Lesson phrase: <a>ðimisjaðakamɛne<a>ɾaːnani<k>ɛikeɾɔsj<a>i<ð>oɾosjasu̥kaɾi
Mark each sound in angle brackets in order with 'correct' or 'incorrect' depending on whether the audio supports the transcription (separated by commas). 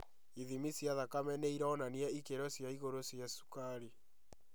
incorrect, incorrect, incorrect, correct, incorrect